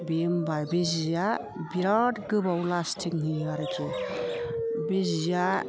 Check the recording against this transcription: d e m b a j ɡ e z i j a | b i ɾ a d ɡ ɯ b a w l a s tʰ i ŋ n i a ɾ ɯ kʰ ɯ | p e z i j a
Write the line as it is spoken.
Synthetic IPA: b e m b a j b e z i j a | b i ɾ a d ɡ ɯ b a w l a s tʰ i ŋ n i a ɾ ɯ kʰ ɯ | b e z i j a